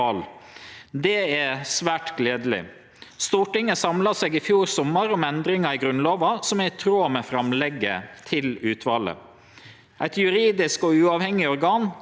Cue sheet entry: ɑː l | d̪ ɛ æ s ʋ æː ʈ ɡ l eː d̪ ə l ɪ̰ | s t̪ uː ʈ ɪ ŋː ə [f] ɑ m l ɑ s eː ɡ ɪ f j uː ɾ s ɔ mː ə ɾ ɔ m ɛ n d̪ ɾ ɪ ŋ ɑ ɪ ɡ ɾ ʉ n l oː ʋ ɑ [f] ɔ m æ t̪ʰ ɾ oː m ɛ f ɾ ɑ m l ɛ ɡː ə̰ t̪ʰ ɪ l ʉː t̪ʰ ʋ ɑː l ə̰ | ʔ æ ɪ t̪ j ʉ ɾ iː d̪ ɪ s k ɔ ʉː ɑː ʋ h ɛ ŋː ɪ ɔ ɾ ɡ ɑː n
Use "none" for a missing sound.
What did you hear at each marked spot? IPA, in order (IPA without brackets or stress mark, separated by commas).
s, s